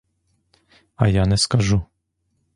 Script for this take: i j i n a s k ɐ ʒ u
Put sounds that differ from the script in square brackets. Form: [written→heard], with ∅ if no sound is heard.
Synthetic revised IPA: [i→a] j [i→a] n [a→ɛ] s k [ɐ→a] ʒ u